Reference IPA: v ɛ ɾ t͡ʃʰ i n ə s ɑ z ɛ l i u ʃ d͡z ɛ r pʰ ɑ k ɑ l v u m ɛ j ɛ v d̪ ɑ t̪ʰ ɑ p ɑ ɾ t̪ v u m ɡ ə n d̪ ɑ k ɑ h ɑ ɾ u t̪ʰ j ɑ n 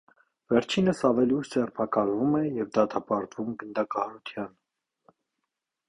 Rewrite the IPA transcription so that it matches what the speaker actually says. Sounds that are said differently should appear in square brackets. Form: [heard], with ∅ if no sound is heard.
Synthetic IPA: v ɛ ɾ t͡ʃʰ i n ə s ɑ [v] ɛ l i u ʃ d͡z ɛ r pʰ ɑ k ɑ l v u m ɛ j ɛ v d̪ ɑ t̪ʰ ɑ p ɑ ɾ t̪ v u m ɡ ə n d̪ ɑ k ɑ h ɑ ɾ u t̪ʰ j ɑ n